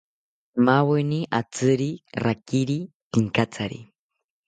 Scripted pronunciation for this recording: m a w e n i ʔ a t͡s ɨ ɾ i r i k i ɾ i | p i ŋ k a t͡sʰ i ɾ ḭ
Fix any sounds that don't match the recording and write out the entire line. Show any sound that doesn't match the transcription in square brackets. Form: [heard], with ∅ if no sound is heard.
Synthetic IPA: m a w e n i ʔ a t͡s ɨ ɾ i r [a] k i ɾ i | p i ŋ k a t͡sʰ [a] ɾ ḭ